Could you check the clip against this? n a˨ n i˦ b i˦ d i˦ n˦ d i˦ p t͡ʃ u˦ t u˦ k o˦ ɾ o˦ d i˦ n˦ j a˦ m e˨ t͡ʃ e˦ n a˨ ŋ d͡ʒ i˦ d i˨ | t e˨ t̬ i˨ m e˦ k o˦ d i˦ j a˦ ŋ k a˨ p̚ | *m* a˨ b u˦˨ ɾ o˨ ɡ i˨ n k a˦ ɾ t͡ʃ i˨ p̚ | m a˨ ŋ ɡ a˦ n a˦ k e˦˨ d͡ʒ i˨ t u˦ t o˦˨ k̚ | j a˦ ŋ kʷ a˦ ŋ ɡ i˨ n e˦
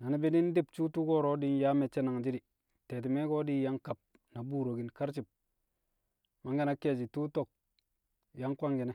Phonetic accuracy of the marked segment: incorrect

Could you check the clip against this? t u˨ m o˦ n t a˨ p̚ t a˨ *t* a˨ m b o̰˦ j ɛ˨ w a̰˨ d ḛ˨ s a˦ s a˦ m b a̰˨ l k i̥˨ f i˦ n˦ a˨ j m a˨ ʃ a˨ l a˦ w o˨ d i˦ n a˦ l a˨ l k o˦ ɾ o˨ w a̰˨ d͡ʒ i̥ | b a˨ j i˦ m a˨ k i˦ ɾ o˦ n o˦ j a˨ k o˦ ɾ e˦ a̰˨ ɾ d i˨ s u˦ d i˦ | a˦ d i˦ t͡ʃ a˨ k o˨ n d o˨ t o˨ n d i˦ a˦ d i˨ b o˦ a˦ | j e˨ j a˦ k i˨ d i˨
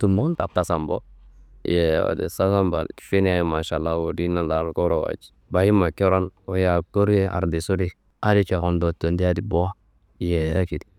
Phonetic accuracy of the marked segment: incorrect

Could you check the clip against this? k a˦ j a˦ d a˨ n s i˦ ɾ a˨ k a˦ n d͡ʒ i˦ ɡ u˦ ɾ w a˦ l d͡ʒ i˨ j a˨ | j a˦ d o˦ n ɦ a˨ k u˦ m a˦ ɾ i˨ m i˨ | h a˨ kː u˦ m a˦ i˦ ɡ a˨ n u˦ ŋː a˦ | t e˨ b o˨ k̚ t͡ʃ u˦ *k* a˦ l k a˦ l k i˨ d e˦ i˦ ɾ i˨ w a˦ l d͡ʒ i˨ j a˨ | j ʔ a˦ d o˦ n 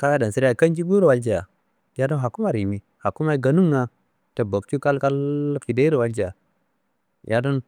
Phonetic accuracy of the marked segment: correct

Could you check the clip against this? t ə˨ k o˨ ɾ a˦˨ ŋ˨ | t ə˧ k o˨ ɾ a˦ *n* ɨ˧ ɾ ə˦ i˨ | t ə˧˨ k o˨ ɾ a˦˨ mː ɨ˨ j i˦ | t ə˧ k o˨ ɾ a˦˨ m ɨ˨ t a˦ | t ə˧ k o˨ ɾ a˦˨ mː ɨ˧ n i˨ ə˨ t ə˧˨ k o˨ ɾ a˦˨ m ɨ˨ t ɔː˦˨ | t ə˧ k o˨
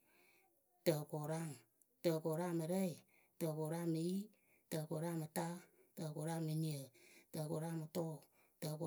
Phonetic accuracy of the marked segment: incorrect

